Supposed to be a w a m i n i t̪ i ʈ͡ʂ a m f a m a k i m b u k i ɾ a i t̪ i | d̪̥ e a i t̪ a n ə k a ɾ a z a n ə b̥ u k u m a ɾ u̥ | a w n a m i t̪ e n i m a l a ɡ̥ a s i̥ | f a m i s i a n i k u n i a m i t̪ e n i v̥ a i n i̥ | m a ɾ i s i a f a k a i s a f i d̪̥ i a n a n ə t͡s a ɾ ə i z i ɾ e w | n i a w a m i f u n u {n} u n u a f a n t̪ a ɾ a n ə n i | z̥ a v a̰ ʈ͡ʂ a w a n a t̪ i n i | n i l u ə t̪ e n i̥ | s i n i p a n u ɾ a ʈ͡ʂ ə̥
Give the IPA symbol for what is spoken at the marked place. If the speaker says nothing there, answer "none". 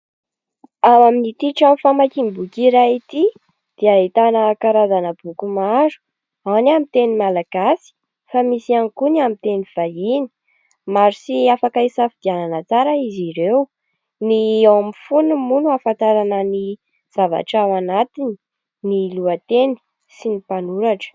m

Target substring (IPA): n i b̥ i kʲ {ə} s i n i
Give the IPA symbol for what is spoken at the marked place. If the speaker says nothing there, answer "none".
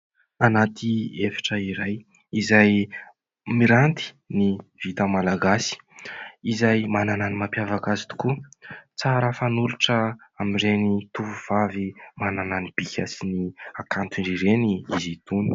a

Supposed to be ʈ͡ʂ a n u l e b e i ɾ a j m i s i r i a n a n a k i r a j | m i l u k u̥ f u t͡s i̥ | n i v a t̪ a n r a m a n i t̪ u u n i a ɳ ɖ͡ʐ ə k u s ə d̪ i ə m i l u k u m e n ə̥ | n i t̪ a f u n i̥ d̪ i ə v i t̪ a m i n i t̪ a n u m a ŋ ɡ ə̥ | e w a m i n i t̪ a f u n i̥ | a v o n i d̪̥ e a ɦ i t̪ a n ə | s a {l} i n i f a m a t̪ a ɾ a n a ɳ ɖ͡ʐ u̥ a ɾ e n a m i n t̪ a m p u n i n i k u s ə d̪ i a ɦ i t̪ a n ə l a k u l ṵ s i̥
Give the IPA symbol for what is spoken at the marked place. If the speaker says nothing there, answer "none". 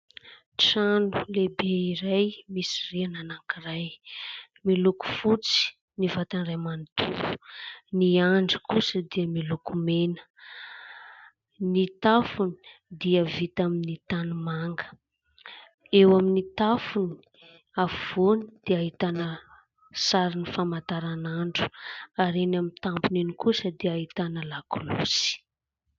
ɾ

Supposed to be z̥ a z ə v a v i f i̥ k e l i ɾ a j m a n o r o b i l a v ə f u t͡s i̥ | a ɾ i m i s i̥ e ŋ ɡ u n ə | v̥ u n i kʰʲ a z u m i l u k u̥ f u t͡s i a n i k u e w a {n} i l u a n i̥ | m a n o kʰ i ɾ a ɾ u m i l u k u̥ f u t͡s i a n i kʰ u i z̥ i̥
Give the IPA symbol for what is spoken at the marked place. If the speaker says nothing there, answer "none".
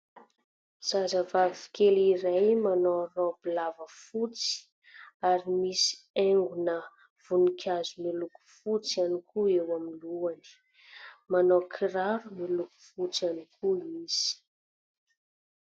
m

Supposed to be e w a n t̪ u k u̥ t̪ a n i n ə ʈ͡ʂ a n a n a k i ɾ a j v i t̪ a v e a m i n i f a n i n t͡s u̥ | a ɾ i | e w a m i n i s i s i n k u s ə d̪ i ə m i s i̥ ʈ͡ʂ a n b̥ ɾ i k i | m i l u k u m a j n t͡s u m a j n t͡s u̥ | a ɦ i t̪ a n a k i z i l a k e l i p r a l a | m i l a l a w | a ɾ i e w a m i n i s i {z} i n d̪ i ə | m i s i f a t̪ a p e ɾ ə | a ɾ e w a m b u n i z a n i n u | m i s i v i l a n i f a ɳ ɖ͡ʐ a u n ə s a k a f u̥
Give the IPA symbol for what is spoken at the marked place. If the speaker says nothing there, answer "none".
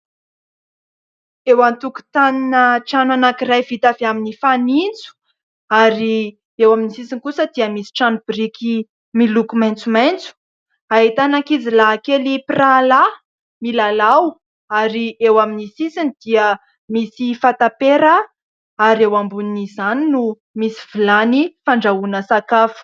s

